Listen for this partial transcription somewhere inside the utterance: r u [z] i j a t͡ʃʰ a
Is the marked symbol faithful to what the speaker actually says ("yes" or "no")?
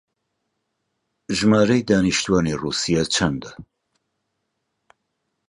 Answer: no